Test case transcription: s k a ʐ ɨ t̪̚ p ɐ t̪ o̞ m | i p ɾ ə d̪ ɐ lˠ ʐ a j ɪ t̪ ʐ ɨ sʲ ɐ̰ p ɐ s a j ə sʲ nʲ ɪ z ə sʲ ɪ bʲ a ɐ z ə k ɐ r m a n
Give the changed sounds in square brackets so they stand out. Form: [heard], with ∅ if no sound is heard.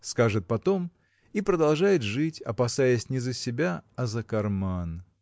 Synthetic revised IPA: s k a ʐ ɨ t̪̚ p ɐ t̪ o̞ m | i p ɾ ə d̪ ɐ lˠ ʐ a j ɪ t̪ ʐ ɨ [tʲ] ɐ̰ p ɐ s a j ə sʲ nʲ ɪ z ə sʲ ɪ bʲ a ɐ z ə k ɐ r m a n